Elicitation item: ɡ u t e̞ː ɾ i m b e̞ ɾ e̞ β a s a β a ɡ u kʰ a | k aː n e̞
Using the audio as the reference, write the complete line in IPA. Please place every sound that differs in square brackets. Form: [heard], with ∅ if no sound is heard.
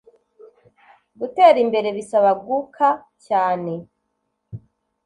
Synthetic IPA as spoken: ɡ u t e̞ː ɾ i m b e̞ ɾ e̞ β [i] s a β a ɡ u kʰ a | [c] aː n e̞